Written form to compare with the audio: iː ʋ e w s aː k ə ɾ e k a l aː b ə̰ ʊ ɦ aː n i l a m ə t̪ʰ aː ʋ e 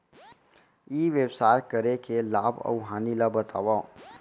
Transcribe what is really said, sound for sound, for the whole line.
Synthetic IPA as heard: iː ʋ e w s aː k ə ɾ e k e l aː b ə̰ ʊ ɦ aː n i l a b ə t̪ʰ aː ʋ a